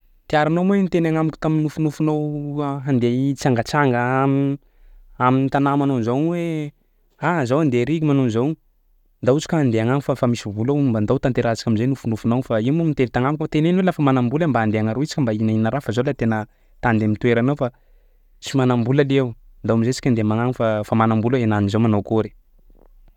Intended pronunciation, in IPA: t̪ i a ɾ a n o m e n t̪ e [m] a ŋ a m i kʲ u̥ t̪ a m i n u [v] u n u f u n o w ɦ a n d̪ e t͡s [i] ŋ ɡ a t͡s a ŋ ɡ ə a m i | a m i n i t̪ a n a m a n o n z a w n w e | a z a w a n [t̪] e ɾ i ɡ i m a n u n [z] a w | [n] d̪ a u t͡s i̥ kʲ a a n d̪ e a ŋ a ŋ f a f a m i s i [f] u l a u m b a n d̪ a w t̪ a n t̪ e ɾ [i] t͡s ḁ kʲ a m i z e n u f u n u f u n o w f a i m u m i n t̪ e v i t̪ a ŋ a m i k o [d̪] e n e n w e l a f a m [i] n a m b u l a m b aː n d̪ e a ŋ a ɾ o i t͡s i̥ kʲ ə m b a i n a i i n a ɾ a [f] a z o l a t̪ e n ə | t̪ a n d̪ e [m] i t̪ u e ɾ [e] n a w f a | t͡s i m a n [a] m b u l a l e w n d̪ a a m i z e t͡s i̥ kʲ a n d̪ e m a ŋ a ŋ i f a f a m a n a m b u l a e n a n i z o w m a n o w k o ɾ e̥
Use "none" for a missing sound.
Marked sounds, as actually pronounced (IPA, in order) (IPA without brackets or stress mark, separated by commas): n, f, a, d̪, z, n, v, a, t̪, a, f, m, a, a